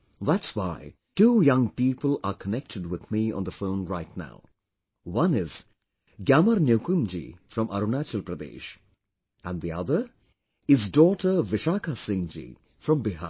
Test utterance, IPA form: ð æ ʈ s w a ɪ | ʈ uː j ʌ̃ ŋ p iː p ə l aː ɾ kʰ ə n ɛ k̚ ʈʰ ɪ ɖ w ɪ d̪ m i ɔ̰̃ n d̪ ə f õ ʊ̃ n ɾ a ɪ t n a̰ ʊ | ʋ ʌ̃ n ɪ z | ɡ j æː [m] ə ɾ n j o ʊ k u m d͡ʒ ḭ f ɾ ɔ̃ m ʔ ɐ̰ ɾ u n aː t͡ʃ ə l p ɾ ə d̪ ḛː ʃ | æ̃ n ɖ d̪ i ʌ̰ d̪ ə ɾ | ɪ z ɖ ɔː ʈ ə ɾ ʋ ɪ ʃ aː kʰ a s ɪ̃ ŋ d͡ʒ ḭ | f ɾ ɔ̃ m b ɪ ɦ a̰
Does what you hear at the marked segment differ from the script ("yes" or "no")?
no